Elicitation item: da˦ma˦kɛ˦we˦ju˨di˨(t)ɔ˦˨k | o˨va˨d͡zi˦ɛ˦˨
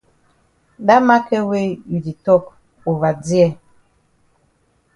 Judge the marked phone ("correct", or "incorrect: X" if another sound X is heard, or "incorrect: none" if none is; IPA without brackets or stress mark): correct